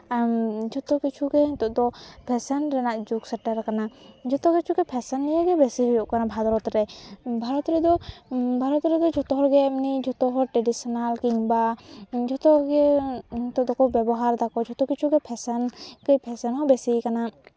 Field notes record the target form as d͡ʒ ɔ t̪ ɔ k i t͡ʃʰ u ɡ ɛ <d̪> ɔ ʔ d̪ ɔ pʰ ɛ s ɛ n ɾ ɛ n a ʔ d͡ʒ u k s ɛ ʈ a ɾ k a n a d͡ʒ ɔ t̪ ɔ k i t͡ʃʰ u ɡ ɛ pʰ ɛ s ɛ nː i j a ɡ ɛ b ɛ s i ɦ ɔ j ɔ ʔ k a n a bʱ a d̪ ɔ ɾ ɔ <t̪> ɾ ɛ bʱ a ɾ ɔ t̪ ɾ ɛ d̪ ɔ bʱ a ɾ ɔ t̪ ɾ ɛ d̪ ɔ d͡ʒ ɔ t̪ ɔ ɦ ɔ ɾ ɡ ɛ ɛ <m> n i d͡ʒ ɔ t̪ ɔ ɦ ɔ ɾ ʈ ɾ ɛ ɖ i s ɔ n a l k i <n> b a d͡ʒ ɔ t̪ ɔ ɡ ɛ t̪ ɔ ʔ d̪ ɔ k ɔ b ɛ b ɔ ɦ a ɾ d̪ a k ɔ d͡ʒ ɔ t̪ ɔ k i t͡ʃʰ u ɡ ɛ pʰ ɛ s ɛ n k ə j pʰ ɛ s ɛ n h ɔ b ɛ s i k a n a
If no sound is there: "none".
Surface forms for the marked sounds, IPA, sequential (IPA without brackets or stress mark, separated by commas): t̪, t̪, m, ŋ